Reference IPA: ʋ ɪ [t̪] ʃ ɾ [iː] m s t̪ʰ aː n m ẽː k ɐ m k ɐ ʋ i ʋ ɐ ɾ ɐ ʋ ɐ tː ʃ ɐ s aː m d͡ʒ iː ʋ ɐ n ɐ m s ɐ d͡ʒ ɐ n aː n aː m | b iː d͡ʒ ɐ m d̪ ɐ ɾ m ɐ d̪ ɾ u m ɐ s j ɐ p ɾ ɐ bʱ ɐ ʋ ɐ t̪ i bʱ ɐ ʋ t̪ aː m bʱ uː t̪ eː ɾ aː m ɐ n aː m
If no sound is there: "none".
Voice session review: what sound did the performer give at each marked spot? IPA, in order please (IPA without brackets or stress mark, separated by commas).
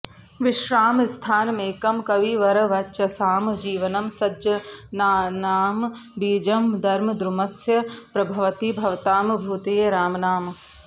none, aː